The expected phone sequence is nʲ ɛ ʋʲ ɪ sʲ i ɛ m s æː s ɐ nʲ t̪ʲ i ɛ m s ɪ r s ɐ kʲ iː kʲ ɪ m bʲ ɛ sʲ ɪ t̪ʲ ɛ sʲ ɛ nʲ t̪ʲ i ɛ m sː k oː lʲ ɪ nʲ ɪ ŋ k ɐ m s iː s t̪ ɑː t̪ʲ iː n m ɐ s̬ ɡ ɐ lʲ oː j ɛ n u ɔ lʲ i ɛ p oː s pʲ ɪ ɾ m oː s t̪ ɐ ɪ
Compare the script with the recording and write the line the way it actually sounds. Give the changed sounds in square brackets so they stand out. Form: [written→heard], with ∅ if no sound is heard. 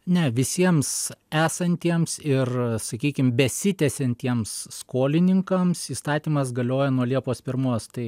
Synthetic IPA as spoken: nʲ ɛ ʋʲ ɪ sʲ i ɛ m s æː s ɐ nʲ t̪ʲ i ɛ m s ɪ r s ɐ kʲ iː kʲ ɪ m bʲ ɛ sʲ ɪ t̪ʲ ɛ sʲ ɛ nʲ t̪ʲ i ɛ m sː k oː lʲ ɪ nʲ ɪ ŋ k ɐ m s iː s t̪ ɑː t̪ʲ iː [n→∅] m ɐ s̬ ɡ ɐ lʲ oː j ɛ n u ɔ lʲ i ɛ p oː s pʲ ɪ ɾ m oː s t̪ ɐ ɪ